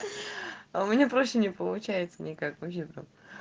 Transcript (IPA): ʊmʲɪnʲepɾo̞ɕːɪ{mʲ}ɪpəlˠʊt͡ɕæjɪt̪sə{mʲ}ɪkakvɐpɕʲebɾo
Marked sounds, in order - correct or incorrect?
incorrect: nʲ, incorrect: nʲ

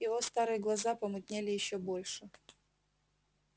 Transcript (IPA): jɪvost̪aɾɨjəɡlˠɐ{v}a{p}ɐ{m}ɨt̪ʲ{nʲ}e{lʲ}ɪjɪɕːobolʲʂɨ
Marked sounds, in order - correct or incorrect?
incorrect: z, correct, correct, correct, correct

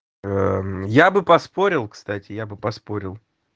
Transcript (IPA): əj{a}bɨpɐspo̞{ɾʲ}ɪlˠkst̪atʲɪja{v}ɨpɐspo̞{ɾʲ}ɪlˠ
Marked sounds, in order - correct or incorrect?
correct, correct, incorrect: b, correct

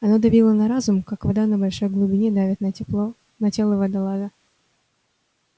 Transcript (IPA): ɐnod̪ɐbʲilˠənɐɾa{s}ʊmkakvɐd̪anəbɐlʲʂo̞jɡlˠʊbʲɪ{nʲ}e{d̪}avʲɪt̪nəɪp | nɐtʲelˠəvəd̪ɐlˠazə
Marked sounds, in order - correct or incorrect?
incorrect: z, correct, correct

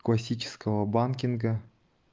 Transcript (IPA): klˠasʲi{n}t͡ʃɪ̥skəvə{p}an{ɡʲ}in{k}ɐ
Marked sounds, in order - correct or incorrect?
incorrect: none, incorrect: b, incorrect: kʲ, incorrect: ɡ

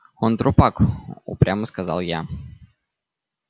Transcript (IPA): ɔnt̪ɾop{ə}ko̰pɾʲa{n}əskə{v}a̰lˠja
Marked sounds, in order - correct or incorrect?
incorrect: a, incorrect: m, incorrect: z

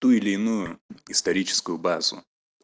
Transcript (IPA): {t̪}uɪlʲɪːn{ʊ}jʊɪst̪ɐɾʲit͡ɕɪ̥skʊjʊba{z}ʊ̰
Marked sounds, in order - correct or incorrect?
correct, incorrect: u, correct

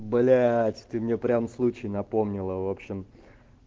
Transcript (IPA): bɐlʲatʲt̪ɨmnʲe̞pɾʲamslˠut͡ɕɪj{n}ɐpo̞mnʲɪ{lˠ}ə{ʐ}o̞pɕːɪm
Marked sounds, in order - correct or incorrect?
correct, correct, incorrect: v

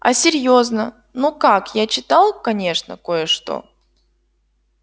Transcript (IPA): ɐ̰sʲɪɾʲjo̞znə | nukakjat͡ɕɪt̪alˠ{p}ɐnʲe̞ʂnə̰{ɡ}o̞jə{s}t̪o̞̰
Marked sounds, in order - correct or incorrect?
incorrect: k, incorrect: k, incorrect: ʂ

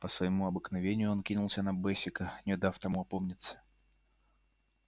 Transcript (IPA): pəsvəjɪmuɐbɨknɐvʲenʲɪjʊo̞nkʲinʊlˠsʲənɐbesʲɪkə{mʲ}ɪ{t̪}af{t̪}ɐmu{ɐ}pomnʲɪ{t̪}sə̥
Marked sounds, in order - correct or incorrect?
incorrect: nʲ, incorrect: d̪, correct, correct, correct

